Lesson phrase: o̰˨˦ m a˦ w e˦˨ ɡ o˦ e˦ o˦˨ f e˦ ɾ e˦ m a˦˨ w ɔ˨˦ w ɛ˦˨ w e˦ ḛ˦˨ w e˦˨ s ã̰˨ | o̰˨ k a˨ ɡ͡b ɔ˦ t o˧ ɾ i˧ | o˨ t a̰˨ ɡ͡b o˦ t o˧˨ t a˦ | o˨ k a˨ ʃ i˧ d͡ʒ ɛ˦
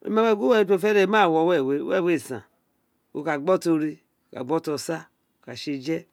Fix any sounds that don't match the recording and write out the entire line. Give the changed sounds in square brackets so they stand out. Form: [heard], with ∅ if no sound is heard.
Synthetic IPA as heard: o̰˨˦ m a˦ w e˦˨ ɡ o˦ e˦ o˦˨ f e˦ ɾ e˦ m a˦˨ w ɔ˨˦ w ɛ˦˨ w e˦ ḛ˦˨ w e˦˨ s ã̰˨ | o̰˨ k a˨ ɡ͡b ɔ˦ t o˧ ɾ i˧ | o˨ [k] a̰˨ ɡ͡b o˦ t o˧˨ [s] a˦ | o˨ k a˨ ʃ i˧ d͡ʒ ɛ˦